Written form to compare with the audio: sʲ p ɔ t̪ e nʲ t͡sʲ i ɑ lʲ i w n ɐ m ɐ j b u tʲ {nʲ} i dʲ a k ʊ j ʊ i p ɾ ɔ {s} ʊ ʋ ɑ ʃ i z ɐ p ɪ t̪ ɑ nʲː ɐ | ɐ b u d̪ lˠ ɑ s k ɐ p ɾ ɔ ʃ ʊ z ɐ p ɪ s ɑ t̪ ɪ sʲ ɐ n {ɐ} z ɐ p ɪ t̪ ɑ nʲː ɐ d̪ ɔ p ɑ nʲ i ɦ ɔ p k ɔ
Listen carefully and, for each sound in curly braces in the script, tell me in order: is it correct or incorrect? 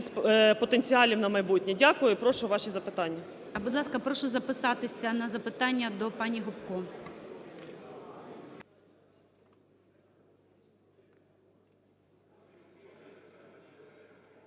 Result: correct, incorrect: ʃ, correct

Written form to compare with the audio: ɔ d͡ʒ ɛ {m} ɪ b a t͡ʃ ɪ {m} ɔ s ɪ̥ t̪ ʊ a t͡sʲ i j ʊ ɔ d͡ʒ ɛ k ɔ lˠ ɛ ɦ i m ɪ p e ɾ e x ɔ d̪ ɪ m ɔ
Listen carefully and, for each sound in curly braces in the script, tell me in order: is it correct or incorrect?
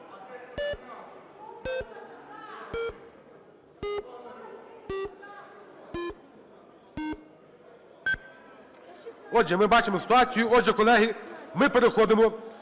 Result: correct, correct

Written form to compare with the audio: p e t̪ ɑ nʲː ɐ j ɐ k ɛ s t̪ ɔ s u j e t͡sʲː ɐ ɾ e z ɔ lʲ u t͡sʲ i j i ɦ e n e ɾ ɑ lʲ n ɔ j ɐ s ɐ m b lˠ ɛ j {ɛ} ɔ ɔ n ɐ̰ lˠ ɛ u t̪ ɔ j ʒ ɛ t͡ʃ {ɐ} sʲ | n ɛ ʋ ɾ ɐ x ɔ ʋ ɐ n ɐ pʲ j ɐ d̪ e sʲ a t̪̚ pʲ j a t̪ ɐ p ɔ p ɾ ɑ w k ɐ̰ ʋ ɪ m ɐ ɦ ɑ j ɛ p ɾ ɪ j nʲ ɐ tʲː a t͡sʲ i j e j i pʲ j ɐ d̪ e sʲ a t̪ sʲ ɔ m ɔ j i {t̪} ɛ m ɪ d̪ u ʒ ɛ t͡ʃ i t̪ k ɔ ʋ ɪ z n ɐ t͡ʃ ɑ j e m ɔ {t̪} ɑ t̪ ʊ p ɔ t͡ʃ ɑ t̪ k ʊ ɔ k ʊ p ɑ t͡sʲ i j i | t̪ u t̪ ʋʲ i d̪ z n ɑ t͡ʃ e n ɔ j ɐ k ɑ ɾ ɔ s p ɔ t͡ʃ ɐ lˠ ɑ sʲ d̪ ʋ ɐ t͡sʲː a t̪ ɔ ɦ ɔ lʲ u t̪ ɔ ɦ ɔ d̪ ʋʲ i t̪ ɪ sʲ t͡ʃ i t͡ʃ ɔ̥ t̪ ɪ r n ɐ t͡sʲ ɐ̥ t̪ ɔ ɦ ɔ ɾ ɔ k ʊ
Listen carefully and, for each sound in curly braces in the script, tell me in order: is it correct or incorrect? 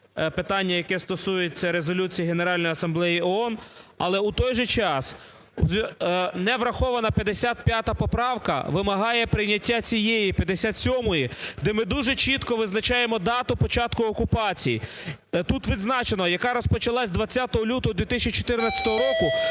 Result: incorrect: i, incorrect: ɑ, incorrect: d̪, incorrect: d̪

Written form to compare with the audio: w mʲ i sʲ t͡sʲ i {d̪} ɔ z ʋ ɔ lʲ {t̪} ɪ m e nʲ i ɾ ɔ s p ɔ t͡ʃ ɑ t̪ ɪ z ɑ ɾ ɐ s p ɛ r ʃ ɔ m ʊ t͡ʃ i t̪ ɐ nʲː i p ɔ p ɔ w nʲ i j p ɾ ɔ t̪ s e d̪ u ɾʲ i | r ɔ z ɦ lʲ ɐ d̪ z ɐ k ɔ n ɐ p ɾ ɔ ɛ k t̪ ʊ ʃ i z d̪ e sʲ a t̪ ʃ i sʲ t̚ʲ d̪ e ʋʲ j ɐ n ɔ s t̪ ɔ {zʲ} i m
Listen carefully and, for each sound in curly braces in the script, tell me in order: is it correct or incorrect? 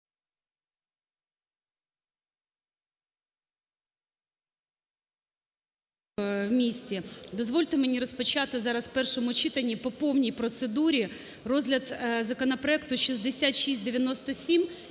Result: correct, correct, incorrect: sʲ

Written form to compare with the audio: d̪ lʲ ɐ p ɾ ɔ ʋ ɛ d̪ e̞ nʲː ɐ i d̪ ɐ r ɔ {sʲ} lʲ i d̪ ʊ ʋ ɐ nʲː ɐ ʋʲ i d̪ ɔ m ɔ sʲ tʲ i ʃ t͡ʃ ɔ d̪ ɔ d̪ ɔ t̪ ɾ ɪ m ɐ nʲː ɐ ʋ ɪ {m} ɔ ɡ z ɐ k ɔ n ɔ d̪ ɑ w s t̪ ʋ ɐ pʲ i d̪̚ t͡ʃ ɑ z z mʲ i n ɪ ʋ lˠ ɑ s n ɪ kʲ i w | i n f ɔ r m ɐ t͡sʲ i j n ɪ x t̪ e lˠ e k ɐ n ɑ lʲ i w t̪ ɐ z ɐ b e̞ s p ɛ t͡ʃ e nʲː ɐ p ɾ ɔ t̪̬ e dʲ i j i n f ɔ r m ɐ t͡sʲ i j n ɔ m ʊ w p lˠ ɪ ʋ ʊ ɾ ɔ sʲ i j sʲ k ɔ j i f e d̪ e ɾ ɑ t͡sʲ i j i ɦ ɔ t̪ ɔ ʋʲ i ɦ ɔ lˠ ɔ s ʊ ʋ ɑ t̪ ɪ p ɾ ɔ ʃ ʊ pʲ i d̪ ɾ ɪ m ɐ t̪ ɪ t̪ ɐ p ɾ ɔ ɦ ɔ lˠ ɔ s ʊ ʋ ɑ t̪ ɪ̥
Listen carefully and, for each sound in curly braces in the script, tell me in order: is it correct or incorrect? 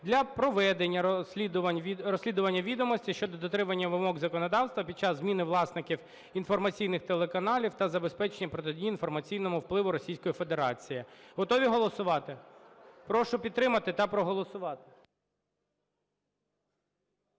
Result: correct, correct

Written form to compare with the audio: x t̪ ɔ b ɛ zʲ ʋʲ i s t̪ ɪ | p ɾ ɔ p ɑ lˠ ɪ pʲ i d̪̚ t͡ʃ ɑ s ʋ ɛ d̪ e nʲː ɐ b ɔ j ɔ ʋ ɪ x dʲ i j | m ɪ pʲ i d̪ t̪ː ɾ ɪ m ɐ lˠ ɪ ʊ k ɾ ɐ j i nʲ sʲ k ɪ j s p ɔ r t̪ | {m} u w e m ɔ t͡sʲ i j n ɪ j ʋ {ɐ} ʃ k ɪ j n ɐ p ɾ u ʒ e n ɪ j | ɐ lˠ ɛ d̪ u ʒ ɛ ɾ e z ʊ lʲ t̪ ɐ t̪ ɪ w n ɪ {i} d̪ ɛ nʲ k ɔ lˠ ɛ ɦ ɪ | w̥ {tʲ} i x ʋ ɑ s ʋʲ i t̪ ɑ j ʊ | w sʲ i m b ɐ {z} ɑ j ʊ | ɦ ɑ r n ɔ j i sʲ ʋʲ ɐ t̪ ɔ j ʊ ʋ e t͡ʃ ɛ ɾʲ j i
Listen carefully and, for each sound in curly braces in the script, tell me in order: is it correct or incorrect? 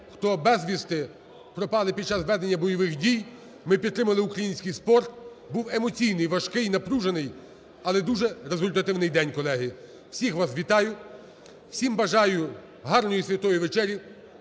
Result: incorrect: b, correct, incorrect: j, incorrect: sʲ, incorrect: ʒ

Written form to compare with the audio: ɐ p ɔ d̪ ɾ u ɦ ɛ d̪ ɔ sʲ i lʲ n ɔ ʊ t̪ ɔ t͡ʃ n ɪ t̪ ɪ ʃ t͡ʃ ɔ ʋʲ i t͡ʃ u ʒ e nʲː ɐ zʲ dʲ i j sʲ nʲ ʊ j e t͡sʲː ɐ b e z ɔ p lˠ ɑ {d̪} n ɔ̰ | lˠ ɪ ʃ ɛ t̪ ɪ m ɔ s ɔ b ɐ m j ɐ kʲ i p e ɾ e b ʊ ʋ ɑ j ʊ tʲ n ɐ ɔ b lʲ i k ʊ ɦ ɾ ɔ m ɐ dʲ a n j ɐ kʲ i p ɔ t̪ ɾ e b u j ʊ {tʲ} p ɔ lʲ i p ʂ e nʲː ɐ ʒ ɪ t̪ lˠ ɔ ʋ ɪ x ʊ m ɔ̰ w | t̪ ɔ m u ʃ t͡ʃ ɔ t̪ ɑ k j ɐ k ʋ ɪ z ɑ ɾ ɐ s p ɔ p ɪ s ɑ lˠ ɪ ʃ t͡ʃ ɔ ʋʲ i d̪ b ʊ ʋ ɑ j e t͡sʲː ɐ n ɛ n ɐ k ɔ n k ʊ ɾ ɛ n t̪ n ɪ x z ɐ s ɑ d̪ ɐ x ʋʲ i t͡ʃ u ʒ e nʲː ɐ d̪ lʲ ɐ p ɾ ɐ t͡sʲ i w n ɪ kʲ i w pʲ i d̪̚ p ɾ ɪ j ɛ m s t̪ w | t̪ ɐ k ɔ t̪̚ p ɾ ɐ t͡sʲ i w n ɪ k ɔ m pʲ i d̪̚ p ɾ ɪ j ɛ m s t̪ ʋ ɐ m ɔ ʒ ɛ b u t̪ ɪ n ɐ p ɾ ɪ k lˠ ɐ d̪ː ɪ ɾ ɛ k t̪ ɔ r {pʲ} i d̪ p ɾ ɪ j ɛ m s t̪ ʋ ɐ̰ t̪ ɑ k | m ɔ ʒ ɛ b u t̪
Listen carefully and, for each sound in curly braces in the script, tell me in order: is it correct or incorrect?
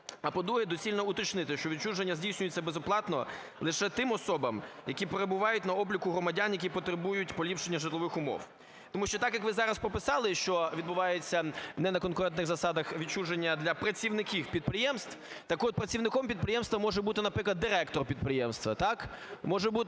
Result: incorrect: t̪, correct, correct

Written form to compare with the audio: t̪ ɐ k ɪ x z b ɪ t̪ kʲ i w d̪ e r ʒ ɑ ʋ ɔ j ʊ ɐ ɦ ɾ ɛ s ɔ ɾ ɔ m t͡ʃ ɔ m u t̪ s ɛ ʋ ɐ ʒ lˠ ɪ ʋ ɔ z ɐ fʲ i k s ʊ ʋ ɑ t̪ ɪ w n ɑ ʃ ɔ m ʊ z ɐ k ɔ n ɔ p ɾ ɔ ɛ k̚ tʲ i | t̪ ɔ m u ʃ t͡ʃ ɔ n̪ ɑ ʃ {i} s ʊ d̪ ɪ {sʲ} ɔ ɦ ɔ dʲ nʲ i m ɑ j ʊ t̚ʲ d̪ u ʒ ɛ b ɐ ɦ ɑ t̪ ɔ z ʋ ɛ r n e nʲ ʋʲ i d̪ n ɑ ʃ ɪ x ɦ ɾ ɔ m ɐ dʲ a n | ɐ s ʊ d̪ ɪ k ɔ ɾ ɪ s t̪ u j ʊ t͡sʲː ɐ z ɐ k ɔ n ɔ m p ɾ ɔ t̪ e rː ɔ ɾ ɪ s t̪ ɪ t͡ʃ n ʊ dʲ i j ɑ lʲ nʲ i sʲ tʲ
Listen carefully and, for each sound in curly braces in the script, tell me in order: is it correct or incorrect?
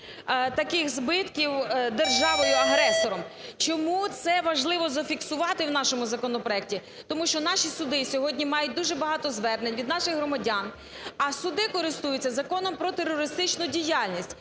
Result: correct, correct

